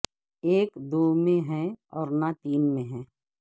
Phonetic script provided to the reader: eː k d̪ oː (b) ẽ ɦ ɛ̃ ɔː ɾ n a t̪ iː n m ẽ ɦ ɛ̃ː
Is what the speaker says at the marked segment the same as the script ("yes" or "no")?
no